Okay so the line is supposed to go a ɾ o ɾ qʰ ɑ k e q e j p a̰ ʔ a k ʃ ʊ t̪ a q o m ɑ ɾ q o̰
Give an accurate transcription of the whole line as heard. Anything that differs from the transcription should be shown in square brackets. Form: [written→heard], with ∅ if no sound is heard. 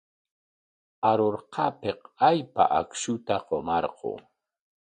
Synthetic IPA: a ɾ o ɾ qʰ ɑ [k→p] e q [e→a] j p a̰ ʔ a k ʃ ʊ t̪ a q o m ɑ ɾ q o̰